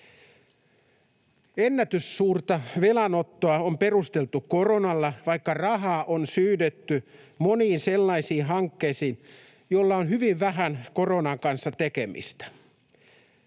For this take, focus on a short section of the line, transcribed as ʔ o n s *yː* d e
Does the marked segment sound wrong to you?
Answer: no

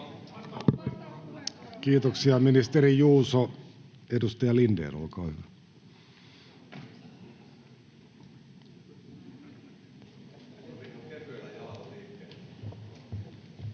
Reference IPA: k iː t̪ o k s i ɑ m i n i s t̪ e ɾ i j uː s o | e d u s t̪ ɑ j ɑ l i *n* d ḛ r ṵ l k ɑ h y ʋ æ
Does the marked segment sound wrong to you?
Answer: no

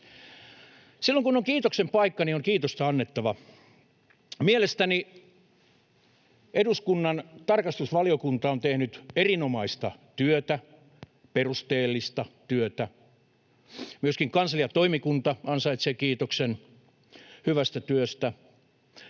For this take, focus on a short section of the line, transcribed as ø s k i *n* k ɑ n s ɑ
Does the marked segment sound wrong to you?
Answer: yes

